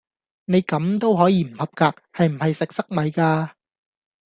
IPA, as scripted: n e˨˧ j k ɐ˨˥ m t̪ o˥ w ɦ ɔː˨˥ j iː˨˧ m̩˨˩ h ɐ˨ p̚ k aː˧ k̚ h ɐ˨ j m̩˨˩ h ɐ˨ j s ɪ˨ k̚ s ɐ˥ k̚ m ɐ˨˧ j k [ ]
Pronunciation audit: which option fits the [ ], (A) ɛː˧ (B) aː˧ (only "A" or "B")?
B